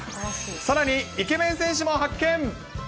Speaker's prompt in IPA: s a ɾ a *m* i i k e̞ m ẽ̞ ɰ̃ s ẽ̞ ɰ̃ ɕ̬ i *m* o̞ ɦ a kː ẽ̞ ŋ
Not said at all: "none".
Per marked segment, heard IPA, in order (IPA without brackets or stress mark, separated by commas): ɲ, m